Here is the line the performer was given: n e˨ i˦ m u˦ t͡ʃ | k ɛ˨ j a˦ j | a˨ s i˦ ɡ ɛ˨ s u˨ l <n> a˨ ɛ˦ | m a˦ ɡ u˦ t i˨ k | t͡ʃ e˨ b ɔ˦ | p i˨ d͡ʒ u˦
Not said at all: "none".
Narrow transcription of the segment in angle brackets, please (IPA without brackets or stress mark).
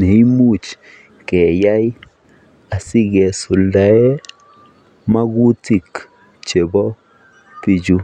d